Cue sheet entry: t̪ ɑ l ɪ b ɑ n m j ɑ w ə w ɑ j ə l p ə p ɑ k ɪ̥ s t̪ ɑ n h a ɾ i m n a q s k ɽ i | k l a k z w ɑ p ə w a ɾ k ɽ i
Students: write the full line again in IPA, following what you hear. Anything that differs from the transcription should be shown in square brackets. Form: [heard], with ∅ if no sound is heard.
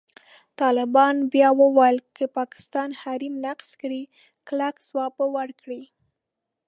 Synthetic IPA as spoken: t̪ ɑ l ɪ b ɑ n [b] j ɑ w ə w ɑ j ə l [k] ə p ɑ k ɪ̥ s t̪ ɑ n h a ɾ i m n a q s k ɽ i | k l a k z w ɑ p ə w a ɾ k ɽ i